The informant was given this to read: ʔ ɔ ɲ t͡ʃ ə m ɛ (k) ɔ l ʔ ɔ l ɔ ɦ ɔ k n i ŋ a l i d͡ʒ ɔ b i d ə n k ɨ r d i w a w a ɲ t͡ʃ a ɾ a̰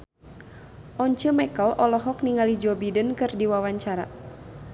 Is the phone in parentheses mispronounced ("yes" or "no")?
no